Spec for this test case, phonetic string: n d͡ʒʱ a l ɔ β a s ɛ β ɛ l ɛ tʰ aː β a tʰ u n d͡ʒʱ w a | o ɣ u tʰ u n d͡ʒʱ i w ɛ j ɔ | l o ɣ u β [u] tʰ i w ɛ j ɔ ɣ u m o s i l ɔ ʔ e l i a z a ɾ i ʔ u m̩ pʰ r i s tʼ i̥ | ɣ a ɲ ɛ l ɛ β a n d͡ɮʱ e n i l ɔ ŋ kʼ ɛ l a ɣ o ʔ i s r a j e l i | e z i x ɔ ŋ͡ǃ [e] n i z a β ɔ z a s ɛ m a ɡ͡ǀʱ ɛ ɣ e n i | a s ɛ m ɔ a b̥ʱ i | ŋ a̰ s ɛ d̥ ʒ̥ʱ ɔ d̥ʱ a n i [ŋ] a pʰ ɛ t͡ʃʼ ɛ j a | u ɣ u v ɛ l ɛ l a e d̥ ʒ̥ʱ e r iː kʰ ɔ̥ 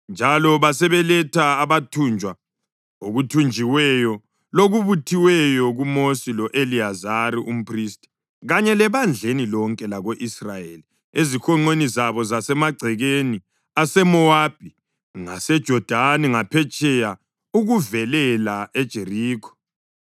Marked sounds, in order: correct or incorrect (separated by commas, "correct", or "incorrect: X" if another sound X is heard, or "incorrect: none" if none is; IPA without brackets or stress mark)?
correct, correct, correct